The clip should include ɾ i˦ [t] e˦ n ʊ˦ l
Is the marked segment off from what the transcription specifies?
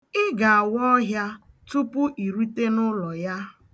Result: no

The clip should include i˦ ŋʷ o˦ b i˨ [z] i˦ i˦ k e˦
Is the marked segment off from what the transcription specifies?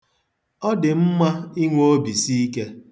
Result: yes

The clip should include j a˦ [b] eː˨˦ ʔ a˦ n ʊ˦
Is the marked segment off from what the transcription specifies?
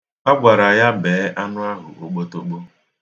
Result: no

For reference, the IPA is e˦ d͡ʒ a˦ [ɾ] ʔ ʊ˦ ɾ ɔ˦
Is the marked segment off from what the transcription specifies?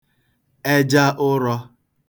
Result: yes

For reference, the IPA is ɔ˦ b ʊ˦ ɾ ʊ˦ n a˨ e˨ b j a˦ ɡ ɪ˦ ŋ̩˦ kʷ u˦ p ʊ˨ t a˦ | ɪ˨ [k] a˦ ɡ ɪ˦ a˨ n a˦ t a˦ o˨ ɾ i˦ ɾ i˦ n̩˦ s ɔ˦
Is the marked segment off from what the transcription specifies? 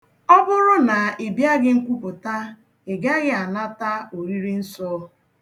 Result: yes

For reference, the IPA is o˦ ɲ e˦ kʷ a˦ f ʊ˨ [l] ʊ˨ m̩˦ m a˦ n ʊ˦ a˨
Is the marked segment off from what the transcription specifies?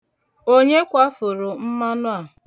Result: yes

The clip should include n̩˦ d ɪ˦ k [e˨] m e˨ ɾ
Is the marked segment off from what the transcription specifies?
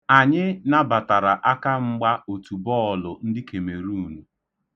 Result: no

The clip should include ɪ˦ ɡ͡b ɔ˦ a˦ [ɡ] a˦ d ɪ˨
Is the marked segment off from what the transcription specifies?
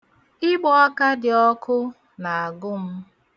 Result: yes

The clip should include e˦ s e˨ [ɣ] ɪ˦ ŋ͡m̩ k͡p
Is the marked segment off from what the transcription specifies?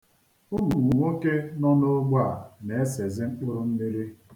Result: yes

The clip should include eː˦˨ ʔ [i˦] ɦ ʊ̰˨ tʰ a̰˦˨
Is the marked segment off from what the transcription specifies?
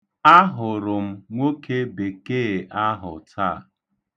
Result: yes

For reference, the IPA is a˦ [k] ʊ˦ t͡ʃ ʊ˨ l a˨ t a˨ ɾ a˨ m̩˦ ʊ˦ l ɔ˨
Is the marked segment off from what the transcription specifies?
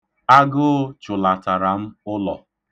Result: yes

